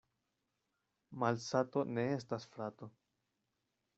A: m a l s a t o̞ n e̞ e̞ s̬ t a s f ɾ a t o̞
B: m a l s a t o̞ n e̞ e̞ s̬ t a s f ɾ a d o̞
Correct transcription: A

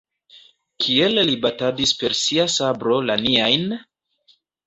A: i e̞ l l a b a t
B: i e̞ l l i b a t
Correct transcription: B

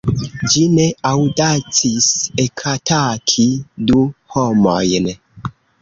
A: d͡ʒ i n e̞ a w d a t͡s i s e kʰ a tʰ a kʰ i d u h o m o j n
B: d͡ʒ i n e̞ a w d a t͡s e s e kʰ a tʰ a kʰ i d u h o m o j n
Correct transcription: A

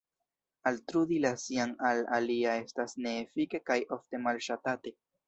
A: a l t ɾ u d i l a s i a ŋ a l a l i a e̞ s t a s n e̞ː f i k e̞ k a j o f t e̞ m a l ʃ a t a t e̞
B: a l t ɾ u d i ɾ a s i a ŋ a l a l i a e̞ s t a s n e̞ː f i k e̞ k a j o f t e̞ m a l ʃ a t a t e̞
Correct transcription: A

